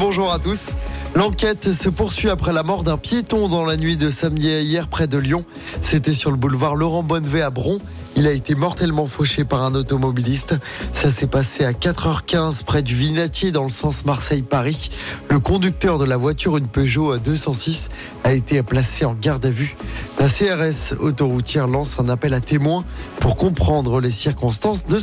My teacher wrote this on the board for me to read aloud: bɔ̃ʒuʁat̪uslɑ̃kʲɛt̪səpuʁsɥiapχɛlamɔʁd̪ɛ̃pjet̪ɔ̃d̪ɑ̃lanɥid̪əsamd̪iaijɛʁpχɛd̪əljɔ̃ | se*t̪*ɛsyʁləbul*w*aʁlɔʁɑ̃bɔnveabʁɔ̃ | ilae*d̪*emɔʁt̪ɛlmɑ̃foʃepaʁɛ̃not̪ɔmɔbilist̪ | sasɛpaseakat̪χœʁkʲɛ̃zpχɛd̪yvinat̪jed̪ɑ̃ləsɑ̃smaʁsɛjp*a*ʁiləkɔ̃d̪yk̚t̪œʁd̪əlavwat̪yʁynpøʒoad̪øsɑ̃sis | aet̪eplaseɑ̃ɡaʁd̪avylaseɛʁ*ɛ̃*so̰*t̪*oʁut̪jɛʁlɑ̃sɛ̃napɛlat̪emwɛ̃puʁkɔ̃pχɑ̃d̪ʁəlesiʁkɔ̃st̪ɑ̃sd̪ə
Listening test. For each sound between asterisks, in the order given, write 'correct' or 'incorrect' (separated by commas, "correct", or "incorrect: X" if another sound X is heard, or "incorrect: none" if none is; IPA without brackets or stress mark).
correct, incorrect: v, incorrect: t̪, correct, incorrect: ɛ, correct